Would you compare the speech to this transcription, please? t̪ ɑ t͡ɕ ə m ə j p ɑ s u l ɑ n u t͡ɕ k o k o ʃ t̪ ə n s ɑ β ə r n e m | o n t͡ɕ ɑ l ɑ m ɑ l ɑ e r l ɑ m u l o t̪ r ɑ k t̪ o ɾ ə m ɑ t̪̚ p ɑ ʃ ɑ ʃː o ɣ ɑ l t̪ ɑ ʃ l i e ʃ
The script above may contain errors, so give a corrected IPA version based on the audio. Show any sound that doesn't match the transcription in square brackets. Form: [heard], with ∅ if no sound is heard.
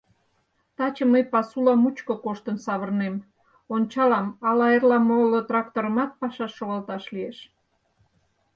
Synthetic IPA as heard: t̪ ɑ t͡ɕ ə m ə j p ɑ s u l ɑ [m] u t͡ɕ k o k o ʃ t̪ ə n s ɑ β ə r n e m | o n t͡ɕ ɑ l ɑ m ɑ l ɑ e r l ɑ m [o] l o t̪ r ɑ k t̪ o ɾ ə m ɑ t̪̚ p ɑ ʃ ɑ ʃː o ɣ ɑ l t̪ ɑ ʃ l i e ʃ